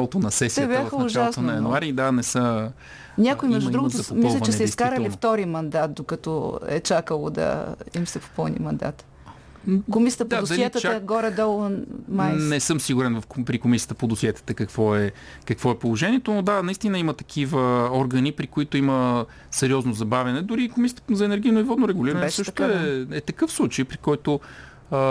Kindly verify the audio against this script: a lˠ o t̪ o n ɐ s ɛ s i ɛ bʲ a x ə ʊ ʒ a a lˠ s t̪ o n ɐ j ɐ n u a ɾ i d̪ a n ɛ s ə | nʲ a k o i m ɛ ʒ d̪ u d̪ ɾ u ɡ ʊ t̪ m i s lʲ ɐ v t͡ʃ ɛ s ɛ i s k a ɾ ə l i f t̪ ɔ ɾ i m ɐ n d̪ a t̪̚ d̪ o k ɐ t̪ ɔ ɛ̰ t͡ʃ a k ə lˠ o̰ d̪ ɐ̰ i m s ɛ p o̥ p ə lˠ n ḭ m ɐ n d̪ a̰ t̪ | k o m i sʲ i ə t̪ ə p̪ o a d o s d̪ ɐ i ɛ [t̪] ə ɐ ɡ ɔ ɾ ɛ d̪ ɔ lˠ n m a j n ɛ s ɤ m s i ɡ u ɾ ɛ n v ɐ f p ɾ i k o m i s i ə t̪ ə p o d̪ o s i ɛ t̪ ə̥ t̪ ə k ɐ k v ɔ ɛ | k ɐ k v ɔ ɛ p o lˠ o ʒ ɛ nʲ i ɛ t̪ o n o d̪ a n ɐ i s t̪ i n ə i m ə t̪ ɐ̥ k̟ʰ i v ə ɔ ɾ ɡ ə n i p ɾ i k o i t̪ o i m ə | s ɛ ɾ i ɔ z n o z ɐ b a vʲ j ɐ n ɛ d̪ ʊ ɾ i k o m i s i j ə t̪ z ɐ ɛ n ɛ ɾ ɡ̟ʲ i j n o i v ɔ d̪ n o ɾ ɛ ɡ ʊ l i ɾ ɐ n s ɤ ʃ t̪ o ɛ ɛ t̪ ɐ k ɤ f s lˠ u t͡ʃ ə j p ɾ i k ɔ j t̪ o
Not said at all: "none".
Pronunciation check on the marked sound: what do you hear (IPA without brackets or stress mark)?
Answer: t̪